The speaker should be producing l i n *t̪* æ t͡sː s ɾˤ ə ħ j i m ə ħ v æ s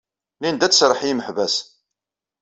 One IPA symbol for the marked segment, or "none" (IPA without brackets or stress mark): d̪